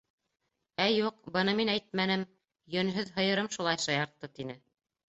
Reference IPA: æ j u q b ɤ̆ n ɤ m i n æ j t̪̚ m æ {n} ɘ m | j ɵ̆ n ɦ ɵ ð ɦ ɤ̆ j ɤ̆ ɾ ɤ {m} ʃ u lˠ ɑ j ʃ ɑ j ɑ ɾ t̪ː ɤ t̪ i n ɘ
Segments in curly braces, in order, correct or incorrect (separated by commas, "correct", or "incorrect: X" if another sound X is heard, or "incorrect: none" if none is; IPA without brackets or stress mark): correct, correct